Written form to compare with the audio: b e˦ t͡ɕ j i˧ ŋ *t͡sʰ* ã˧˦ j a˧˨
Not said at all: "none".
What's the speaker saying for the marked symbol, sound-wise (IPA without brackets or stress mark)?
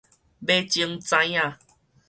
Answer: t͡s